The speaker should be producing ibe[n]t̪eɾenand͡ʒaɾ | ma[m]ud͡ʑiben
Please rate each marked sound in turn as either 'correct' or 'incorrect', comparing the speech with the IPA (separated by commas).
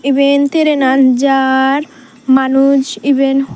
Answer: correct, incorrect